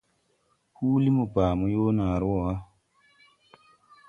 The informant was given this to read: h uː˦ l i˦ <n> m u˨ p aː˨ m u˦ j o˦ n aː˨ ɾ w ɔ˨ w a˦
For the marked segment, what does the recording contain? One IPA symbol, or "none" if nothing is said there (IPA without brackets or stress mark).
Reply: none